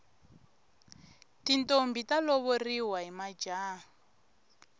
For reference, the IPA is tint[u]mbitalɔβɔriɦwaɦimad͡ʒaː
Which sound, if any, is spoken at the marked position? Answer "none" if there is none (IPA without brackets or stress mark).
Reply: o